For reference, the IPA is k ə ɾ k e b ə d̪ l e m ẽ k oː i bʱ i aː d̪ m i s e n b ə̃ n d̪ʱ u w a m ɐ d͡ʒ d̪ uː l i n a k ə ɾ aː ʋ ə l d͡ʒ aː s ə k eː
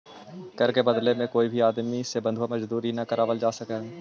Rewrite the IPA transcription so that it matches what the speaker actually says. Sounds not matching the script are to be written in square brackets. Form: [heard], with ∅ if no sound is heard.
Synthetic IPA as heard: k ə ɾ k e b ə d̪ l e m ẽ k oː i bʱ i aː d̪ m i s e [∅] b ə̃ n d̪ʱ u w a m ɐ d͡ʒ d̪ uː [ɾ] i n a k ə ɾ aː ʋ ə l d͡ʒ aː s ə k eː